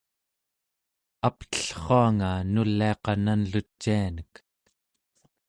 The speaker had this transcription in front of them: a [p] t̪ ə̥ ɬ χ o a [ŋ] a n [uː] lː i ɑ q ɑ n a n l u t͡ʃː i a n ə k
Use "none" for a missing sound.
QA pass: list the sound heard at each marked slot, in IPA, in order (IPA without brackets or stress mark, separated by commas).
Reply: p, ŋ, u